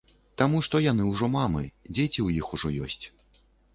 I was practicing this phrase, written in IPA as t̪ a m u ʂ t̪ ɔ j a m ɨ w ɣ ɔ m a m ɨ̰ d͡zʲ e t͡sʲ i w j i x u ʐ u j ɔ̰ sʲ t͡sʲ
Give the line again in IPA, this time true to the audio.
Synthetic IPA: t̪ a m u ʂ t̪ ɔ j a n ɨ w ʐ ɔ m a m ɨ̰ d͡zʲ e t͡sʲ i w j i x u ʐ ɔ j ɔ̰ sʲ t͡sʲ